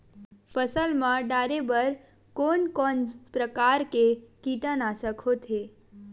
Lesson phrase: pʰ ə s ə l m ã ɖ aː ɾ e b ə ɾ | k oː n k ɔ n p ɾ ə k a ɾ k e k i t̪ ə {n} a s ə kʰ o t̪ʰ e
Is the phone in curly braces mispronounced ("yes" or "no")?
no